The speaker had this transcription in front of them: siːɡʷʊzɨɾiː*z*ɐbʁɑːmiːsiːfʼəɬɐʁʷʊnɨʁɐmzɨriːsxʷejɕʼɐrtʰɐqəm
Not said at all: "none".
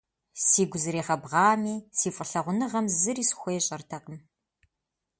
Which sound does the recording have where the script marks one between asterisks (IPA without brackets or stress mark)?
ʁ